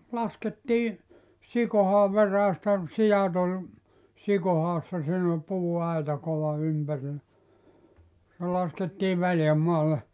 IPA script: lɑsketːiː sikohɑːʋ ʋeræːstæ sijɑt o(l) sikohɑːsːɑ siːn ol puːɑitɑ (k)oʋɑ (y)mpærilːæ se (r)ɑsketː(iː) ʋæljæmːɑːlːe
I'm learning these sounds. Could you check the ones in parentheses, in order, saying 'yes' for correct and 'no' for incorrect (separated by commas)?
yes, yes, yes, no, yes